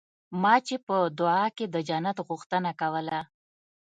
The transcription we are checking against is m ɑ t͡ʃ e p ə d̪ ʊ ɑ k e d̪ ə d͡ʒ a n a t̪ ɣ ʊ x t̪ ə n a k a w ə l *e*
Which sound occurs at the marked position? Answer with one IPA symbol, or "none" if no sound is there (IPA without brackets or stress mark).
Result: a